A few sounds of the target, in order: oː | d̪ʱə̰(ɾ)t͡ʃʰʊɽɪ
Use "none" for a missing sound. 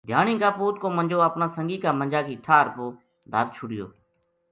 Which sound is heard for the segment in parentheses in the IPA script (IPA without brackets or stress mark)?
ɾ